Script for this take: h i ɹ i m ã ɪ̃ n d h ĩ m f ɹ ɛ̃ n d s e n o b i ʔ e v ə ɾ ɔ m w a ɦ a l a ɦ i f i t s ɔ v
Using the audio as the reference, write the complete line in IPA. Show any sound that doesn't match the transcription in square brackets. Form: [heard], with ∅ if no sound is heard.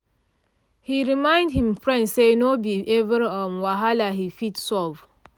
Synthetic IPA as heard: h i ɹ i m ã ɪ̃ n d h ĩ m f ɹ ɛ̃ n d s e n o b i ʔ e v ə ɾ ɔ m w a ɦ a l a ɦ i f i t s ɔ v

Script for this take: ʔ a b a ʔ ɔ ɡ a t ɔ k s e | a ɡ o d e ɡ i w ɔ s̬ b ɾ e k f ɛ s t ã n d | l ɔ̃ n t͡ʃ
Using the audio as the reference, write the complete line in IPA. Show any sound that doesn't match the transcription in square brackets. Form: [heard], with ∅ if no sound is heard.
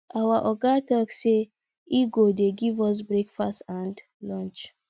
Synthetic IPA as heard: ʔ a [w] a ʔ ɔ ɡ a t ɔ k s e | [i] ɡ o d e ɡ i [v] ɔ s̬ b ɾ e k f [a] s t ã n d | l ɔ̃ n t͡ʃ

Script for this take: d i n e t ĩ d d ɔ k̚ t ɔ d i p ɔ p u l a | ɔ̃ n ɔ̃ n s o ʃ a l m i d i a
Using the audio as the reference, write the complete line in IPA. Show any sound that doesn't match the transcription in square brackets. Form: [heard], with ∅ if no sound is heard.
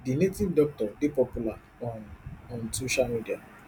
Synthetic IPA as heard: d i n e t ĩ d d ɔ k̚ t ɔ d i p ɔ p u l a | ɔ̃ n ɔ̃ n s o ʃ a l m i d i a

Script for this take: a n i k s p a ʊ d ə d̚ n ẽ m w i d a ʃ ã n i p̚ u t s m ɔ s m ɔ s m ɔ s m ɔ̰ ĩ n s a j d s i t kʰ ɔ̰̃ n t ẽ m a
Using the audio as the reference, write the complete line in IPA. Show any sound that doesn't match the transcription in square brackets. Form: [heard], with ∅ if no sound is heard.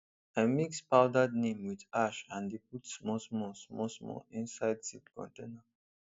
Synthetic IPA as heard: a [m] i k s p a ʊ d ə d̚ n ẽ m w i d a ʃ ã n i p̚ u t s m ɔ s m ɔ s m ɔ s m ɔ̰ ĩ n s a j d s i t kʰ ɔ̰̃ n t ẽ [n] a

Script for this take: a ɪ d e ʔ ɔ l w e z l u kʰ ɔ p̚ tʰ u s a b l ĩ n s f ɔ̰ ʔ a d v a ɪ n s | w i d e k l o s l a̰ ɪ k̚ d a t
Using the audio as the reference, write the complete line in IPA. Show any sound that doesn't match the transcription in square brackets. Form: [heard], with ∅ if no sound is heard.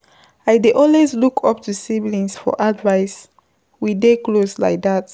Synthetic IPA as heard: a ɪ d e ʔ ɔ l w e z l u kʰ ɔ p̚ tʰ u s [i] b l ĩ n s f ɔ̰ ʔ a d v a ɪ [∅] s | w i d e k l o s l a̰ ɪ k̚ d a t

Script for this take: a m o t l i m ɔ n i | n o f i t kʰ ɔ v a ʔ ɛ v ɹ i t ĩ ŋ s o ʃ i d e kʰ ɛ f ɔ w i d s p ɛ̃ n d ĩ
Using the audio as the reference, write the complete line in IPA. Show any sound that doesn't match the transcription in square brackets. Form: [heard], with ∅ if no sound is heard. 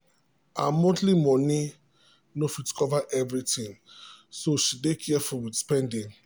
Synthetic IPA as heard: a m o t l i m ɔ n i | n o f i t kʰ ɔ v a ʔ ɛ v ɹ i t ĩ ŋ s o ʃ i d e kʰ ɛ f ɔ w i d s p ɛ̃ n d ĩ

